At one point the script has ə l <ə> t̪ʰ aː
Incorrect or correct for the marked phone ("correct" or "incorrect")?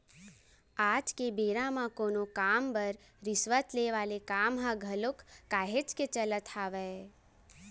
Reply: correct